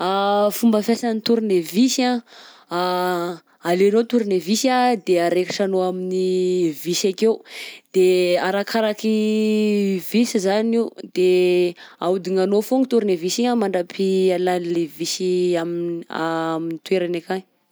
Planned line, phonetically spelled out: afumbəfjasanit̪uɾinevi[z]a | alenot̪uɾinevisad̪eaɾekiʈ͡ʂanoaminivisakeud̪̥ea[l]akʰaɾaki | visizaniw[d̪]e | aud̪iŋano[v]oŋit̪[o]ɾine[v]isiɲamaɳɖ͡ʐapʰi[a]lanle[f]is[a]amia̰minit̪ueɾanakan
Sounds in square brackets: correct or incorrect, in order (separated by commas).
incorrect, incorrect, correct, incorrect, incorrect, correct, correct, incorrect, incorrect